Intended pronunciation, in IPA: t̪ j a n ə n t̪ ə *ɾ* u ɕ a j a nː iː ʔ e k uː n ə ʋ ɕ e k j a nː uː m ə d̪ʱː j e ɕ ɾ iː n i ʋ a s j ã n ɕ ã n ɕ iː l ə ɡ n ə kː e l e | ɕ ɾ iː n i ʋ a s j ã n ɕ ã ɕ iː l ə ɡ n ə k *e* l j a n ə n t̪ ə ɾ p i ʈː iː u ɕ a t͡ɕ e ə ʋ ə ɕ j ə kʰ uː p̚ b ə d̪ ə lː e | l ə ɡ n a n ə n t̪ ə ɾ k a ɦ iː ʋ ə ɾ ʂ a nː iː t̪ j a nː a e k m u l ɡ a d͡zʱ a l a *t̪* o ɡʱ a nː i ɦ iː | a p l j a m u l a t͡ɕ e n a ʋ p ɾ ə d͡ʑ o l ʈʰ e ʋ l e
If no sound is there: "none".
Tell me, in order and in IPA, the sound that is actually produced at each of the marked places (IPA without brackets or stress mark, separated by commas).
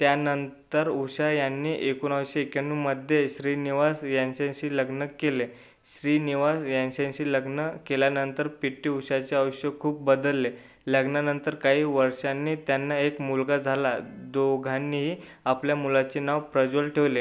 ɾ, e, d̪